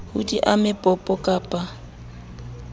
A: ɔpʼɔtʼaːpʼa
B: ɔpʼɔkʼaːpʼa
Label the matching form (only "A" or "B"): B